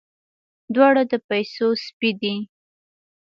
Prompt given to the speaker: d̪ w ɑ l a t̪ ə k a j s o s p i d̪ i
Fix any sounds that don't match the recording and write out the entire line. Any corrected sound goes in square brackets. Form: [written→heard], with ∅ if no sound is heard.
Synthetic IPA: d̪ w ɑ [l→ɽ] a [t̪→d̪] ə [k→p] a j s o s p i d̪ i